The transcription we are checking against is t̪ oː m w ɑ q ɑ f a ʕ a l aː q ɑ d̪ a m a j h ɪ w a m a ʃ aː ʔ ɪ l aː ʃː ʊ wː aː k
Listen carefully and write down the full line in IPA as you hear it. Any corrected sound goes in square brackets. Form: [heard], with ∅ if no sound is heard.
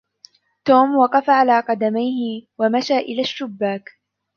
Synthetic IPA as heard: t̪ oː m w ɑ q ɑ f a ʕ a l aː q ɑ d̪ a m a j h ɪ w a m a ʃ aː ʔ ɪ l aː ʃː ʊ [bː] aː k